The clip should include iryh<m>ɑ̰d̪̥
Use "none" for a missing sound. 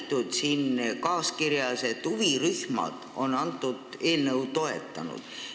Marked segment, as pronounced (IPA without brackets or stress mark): m